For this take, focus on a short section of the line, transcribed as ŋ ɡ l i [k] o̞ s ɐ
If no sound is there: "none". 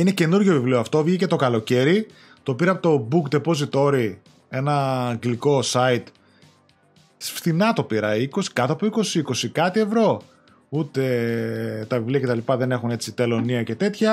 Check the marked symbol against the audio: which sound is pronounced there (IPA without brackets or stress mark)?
k